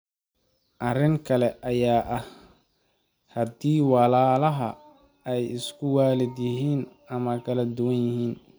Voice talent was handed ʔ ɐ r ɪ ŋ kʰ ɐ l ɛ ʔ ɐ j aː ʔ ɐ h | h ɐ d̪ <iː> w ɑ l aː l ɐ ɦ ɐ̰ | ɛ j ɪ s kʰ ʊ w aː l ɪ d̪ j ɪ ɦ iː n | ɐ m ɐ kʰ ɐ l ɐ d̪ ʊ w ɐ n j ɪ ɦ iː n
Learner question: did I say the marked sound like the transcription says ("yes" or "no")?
yes